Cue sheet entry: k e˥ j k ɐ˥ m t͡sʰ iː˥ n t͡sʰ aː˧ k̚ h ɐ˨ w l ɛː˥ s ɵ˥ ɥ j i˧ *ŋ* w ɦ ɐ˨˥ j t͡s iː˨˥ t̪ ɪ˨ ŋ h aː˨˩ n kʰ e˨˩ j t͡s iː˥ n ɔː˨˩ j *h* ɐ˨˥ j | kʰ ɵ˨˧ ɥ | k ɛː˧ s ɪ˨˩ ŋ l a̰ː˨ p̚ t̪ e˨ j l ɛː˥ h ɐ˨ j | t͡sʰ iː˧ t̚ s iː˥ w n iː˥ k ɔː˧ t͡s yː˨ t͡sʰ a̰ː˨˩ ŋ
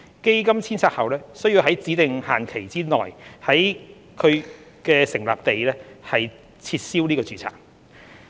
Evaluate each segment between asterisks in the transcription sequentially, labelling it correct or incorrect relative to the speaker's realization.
incorrect: none, correct

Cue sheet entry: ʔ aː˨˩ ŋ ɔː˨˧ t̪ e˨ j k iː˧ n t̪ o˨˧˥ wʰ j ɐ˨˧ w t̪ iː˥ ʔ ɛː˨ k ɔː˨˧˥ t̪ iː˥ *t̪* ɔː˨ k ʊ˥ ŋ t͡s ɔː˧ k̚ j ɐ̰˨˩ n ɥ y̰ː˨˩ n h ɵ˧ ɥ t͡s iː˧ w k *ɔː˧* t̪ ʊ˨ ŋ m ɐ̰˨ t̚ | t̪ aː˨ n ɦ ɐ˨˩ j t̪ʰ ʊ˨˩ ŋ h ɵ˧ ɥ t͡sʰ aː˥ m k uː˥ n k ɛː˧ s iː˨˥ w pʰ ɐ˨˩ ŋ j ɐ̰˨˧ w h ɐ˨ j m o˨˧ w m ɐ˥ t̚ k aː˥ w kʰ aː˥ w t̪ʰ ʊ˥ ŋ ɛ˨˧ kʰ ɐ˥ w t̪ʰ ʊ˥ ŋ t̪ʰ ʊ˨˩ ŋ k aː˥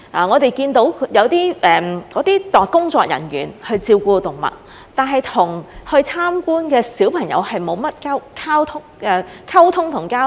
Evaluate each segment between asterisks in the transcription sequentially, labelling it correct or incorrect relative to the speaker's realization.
correct, incorrect: uː˧

